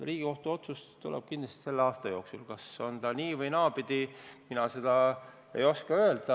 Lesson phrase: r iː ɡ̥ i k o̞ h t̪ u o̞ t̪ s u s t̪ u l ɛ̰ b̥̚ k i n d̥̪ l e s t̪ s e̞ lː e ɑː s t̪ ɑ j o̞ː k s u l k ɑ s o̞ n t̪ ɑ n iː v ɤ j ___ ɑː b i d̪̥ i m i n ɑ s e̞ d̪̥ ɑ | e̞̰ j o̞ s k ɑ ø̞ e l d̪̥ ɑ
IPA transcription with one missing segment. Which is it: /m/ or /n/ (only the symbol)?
n